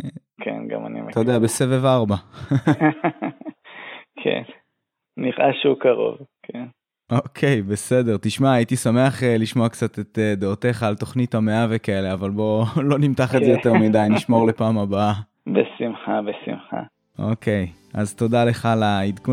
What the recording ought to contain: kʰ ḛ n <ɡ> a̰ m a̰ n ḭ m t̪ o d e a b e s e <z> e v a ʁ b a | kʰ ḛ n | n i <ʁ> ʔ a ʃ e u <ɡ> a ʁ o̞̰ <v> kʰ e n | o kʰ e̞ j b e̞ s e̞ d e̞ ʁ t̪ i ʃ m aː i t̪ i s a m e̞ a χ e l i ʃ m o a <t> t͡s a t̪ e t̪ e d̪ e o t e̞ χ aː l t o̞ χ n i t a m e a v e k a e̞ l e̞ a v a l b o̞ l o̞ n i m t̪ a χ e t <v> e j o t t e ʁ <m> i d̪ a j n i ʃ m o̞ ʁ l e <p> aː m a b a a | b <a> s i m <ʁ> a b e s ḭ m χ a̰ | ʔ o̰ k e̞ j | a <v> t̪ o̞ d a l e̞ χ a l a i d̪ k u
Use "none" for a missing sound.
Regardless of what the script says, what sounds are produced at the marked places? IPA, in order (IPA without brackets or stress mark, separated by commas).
ɡ, v, ʁ, k, v, k, z, m, p, e, χ, z